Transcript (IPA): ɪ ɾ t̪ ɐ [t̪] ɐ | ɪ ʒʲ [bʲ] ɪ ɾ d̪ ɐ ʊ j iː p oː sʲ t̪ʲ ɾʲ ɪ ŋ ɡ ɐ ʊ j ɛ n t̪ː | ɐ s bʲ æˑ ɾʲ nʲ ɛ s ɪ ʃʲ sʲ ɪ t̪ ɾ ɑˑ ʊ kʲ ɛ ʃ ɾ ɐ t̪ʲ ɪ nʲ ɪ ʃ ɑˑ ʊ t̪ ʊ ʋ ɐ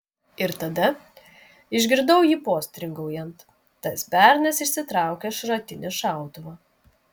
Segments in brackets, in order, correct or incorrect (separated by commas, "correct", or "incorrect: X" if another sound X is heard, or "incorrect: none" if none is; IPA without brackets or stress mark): incorrect: d̪, incorrect: ɡʲ